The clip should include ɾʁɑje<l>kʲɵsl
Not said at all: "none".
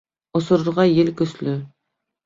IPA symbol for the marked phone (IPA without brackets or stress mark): l